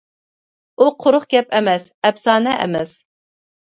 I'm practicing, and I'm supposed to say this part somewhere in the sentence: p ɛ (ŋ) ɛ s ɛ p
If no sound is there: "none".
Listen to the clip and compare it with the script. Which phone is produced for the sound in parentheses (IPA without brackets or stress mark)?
m